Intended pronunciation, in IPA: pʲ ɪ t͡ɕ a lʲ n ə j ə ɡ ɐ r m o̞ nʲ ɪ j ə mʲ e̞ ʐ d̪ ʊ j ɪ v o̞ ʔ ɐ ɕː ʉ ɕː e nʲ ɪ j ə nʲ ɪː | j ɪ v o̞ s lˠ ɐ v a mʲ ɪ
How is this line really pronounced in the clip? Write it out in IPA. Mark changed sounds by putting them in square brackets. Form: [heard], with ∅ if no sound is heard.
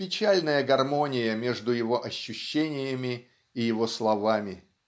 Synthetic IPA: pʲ ɪ t͡ɕ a lʲ n ə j ə ɡ ɐ r m o̞ nʲ ɪ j ə mʲ e̞ ʐ d̪ ʊ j ɪ v o̞ ʔ ɐ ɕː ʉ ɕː e nʲ ɪ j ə [mʲ] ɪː | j ɪ v o̞ s lˠ ɐ v a mʲ ɪ